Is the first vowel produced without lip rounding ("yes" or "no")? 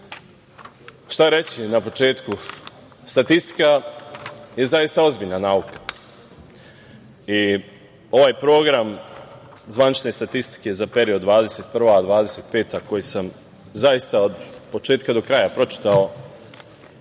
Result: yes